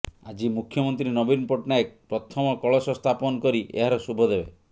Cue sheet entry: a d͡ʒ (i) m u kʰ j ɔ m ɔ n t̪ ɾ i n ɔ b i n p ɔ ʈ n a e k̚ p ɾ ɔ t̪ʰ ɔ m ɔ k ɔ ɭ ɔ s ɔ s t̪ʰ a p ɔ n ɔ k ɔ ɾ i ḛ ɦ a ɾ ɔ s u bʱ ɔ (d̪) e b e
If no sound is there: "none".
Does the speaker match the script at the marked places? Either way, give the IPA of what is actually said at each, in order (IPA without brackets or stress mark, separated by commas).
i, d̪